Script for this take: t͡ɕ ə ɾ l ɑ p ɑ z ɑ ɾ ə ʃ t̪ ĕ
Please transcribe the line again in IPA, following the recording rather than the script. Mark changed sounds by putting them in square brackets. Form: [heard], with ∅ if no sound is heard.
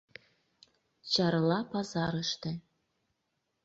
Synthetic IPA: t͡ɕ [ɑ] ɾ l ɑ p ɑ z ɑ ɾ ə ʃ t̪ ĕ